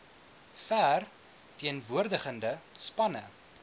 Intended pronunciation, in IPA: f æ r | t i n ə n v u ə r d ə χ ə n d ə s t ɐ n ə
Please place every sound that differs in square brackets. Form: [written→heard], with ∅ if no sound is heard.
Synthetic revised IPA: f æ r | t i [n→∅] ə n v u ə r d ə χ ə n d ə s [t→p] ɐ n ə